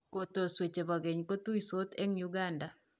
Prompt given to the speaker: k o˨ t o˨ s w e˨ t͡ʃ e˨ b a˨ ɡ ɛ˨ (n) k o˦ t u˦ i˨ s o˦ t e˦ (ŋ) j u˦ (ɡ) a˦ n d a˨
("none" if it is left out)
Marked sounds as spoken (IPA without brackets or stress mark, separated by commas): ɲ, ŋ, ɡ